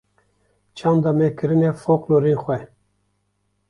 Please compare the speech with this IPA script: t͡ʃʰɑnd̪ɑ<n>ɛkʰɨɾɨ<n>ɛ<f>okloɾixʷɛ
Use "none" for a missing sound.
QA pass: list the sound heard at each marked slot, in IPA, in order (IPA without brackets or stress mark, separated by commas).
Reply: m, n, f